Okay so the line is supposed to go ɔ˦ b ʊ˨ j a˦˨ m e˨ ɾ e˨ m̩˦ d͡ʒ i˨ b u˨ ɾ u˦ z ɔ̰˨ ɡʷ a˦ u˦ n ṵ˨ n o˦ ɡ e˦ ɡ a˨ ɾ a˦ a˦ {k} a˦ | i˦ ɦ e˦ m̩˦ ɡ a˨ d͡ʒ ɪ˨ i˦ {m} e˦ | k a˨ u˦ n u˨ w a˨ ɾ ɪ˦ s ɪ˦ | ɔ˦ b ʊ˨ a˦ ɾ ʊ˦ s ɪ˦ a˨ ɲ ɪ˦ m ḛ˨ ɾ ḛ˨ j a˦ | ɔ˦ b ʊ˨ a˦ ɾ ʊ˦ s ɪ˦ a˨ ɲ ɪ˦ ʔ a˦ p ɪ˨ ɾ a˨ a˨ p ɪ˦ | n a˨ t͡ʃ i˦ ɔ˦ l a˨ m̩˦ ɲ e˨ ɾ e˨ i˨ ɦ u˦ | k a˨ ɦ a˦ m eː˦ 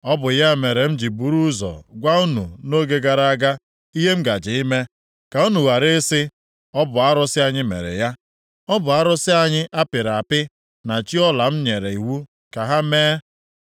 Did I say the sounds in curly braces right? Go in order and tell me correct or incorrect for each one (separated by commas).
incorrect, correct